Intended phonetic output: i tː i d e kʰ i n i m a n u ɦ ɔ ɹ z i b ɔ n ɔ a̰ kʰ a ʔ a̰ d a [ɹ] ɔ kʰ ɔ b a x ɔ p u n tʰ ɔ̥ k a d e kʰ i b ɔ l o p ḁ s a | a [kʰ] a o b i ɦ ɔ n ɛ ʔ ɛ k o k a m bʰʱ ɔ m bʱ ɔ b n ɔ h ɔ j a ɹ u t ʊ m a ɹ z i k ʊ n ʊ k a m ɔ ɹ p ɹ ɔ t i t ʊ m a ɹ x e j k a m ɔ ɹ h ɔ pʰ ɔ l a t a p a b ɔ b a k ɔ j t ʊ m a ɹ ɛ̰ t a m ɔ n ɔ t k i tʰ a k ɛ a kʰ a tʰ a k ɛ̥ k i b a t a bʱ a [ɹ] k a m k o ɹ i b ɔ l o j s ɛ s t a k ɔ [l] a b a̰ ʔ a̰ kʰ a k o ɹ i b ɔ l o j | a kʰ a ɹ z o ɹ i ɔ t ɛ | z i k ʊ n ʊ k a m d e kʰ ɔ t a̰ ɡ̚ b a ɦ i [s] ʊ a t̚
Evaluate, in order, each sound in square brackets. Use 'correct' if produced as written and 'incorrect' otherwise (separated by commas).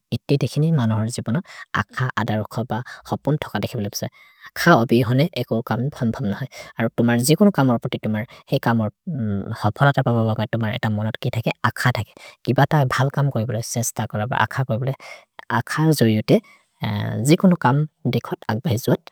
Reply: correct, correct, incorrect, incorrect, incorrect